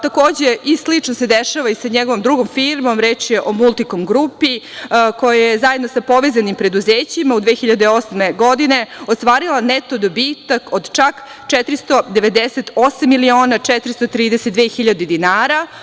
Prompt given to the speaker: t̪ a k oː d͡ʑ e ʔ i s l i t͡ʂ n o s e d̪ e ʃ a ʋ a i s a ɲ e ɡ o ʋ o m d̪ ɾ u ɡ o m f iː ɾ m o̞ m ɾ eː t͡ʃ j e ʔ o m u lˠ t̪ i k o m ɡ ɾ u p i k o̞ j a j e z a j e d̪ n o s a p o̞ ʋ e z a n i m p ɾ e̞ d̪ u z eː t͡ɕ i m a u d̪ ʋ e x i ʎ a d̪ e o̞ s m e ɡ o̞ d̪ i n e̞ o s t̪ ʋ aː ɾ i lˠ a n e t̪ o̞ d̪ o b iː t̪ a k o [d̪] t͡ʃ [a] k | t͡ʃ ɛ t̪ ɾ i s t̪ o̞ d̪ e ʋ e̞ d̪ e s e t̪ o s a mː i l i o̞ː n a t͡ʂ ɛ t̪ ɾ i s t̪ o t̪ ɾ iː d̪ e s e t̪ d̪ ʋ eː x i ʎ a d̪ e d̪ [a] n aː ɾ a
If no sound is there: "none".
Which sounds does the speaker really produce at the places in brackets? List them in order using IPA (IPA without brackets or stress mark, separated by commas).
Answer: d̪, a, i